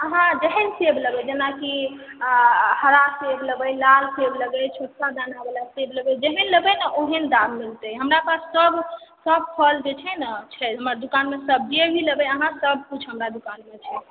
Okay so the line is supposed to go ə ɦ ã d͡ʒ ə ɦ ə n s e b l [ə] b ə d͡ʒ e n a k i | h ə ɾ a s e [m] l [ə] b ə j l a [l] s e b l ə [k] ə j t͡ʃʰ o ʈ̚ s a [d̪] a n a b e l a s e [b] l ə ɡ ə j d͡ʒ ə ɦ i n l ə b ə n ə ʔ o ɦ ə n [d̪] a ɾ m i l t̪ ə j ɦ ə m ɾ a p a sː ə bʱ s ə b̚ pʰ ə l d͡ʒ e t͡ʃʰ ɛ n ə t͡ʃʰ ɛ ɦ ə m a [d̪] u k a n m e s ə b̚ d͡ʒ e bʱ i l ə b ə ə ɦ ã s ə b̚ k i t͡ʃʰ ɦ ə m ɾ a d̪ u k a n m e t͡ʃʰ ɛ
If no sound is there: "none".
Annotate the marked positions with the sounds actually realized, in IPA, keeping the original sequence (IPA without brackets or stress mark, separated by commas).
ə, b, ə, l, ɡ, d̪, b, d̪, d̪